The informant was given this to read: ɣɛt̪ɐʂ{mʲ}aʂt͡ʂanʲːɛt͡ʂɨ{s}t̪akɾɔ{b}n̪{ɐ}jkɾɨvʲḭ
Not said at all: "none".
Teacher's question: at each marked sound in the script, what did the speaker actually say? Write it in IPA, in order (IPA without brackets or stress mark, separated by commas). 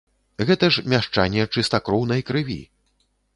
mʲ, s, w, ɐ